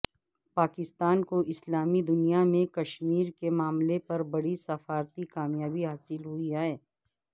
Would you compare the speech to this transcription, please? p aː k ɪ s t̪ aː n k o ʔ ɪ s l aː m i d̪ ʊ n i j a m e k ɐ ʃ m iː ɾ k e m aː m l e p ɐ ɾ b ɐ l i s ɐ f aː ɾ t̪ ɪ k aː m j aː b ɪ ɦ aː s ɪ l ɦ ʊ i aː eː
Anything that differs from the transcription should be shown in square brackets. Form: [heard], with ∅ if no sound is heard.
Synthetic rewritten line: p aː k ɪ s t̪ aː n k o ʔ ɪ s l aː m i d̪ ʊ n i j a m [ẽ] k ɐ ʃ m iː ɾ k e m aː m l e p ɐ ɾ b ɐ [ɽ] i s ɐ f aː ɾ t̪ [i] k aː m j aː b [i] ɦ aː s ɪ l ɦ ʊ i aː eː